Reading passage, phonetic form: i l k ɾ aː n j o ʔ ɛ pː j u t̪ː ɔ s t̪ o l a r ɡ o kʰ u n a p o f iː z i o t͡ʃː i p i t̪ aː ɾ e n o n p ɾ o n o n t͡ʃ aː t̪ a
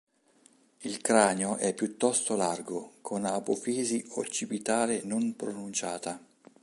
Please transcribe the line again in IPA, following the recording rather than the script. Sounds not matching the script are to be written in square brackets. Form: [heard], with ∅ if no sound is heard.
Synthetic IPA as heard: i l k ɾ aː n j o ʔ ɛ pː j u t̪ː ɔ s t̪ o l a r ɡ o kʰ [o] n a p o f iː z i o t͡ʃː i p i t̪ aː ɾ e n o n p ɾ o n [u] n t͡ʃ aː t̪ a